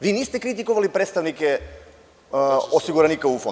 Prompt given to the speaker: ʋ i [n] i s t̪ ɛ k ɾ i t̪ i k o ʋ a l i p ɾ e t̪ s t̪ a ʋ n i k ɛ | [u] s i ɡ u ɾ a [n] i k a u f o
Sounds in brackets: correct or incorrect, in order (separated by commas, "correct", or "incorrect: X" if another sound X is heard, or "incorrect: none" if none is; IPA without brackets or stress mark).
correct, incorrect: o, correct